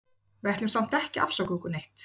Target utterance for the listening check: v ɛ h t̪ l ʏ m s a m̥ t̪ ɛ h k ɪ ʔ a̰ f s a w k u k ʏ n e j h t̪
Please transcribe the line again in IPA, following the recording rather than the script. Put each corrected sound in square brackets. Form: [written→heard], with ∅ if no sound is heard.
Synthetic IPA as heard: v ɛ h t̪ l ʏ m s a m̥ t̪ ɛ h [k→c] ɪ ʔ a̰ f s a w k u k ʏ n e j h t̪

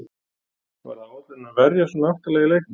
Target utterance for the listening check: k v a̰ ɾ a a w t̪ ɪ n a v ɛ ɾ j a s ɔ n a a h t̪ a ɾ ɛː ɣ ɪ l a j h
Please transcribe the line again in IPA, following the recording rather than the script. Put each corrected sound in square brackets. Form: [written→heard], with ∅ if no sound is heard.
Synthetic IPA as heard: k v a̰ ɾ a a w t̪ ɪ n a v ɛ ɾ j a s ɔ n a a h t̪ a [ɾ→l] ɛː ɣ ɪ l [a→e] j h

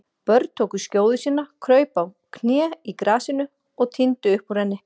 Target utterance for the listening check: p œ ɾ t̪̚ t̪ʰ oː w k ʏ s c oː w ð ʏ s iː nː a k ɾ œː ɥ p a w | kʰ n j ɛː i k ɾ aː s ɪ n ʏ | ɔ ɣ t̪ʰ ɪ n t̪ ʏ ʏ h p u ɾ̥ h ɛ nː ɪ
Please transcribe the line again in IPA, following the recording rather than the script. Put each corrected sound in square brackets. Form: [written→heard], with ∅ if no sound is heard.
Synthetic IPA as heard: p œ ɾ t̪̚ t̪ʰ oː w k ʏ s c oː w ð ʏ s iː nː a [k→kʰ] ɾ œː ɥ p a w | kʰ n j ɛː i k ɾ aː s ɪ n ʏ | ɔ ɣ t̪ʰ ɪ n t̪ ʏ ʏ h p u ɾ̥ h ɛ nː ɪ

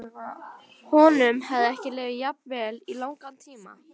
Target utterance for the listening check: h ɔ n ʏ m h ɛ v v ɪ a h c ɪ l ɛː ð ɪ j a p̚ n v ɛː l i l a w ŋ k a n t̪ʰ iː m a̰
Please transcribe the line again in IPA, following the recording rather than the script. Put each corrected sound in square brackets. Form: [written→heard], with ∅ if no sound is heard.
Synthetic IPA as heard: h ɔ n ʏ m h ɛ v [v→ð] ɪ [a→ɛ] h c ɪ l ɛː [ð→v] ɪ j a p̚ n v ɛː l i l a w ŋ k a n t̪ʰ iː m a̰

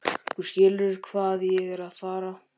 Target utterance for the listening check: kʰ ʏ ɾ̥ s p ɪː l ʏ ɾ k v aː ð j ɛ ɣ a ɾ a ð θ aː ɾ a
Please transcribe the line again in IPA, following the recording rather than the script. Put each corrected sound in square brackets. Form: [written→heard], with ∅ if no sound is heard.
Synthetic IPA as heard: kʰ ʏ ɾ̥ s [p→c] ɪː l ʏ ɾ [k→kʰ] v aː ð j ɛ ɣ [a→ɛ] ɾ a ð [θ→f] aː ɾ a

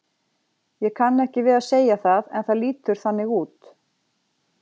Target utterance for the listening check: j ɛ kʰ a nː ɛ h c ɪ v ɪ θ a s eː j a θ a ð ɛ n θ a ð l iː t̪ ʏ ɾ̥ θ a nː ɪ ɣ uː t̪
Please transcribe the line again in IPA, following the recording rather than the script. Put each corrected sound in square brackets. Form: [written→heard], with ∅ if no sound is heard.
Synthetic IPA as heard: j ɛ kʰ a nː ɛ h c ɪ v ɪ [θ→ð] a s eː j a θ a ð ɛ n θ a ð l iː t̪ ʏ ɾ̥ θ a nː ɪ ɣ uː t̪

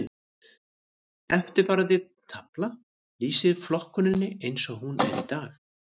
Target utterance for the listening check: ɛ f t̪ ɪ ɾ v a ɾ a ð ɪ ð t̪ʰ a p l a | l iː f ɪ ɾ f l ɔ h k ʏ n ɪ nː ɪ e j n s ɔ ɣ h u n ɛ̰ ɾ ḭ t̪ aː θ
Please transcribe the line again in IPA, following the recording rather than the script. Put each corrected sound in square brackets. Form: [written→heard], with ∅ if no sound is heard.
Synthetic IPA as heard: ɛ f t̪ ɪ ɾ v a ɾ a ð ɪ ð t̪ʰ a p l a | l iː [f→s] ɪ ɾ f l ɔ h k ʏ n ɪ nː ɪ e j n s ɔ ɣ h u n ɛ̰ ɾ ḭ t̪ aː [θ→x]

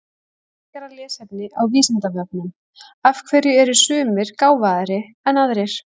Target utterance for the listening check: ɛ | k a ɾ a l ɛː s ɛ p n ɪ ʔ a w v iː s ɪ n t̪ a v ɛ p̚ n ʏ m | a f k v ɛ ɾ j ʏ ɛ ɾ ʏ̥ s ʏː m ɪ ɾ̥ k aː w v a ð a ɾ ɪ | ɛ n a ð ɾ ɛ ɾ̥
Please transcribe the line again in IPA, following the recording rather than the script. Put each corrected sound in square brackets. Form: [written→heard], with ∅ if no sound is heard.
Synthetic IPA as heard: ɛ | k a ɾ a l ɛː s ɛ p n ɪ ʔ a w v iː s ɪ n t̪ a v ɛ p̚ n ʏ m | a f [k→kʰ] v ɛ ɾ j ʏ ɛ ɾ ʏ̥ s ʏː m ɪ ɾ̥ k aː w v a ð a ɾ ɪ | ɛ n a ð ɾ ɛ ɾ̥

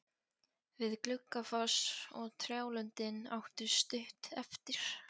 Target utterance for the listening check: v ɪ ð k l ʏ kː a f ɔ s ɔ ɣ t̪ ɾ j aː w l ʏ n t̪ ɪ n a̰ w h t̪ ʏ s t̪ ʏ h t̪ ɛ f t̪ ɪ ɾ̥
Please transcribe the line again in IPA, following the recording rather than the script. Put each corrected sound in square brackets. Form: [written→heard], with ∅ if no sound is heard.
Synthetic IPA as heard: v ɪ ð k l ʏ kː a f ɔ s ɔ ɣ [t̪→t̪ʰ] ɾ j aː w l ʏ n t̪ ɪ n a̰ w h t̪ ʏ s t̪ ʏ h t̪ ɛ f t̪ ɪ ɾ̥

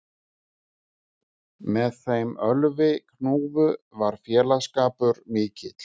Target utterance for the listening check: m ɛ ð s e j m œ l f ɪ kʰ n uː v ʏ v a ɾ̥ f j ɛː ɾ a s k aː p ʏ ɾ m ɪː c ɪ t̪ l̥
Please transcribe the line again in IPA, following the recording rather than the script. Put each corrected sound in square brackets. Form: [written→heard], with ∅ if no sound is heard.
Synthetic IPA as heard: m ɛ ð [s→θ] e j m œ l [f→v] ɪ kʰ n uː v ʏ v a ɾ̥ f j ɛː [ɾ→l] a s k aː p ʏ ɾ m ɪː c ɪ t̪ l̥

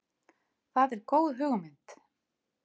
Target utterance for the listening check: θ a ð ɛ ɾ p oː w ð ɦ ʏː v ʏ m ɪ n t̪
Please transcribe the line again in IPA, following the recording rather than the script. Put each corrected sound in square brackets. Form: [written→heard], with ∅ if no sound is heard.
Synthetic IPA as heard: θ a ð ɛ ɾ [p→k] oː w ð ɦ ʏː [v→ɣ] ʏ m ɪ n t̪

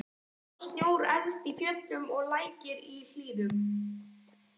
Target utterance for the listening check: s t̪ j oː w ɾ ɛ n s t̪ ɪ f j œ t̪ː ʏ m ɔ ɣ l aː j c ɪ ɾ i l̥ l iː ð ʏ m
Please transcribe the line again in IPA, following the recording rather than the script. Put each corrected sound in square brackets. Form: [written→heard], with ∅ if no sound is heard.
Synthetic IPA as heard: s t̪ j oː w ɾ ɛ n s t̪ [ɪ→i] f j œ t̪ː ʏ m ɔ ɣ l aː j c ɪ ɾ i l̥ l iː ð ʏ m

